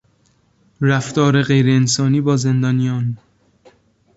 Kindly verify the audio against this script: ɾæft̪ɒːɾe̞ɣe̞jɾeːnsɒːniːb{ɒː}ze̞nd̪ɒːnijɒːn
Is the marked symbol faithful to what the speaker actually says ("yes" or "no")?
yes